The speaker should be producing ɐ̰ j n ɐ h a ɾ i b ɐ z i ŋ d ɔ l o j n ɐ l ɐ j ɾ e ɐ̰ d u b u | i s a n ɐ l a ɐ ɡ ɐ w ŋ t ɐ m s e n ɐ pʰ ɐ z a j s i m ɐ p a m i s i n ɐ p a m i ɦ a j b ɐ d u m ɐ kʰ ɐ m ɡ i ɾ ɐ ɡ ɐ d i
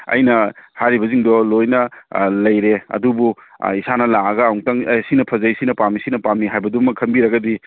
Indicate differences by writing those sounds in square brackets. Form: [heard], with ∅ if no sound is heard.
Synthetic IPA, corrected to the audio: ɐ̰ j n ɐ h a ɾ i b ɐ z i ŋ d ɔ l o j n ɐ l ɐ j ɾ e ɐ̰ d u b u | i s a n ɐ l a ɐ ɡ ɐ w ŋ t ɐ [ŋ] s [i] n ɐ pʰ ɐ z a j s i [n] ɐ p a m i s i n ɐ p a m i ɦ a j b ɐ d u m ɐ kʰ ɐ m [b] i ɾ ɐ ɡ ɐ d i

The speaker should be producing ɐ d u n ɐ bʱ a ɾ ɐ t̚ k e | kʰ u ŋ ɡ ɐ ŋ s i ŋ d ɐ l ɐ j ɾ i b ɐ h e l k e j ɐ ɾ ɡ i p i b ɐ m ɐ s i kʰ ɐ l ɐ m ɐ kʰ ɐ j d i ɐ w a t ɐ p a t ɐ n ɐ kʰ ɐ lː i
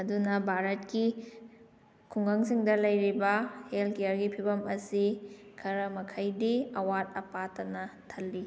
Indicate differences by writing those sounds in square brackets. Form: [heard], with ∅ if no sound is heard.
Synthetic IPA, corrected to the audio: ɐ d u n ɐ bʱ a ɾ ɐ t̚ k [i] | kʰ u ŋ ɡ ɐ ŋ s i ŋ d ɐ l ɐ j ɾ i b ɐ h e l k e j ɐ ɾ ɡ i [pʰ] i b ɐ m ɐ s i kʰ ɐ [ɾ] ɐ m ɐ kʰ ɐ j d i ɐ w a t ɐ p a t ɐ n ɐ [tʰ] ɐ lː i

